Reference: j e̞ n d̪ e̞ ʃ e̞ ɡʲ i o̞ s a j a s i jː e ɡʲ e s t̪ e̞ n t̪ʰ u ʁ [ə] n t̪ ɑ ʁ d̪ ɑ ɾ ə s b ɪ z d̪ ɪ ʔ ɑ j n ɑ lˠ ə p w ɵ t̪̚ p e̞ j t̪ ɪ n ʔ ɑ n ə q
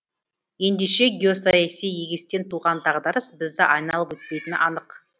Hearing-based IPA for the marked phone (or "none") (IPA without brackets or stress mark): ɑ